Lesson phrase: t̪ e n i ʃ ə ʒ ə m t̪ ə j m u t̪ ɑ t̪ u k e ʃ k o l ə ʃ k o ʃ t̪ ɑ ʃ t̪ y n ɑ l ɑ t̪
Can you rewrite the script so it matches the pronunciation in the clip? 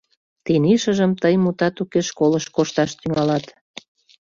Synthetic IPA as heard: t̪ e n i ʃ ə ʒ ə m t̪ ə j m u t̪ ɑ t̪ u k e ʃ k o l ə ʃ k o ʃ t̪ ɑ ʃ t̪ y ŋ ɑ l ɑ t̪